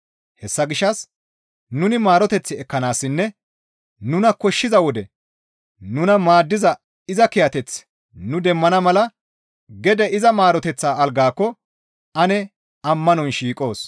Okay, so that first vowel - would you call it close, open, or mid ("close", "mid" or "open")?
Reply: mid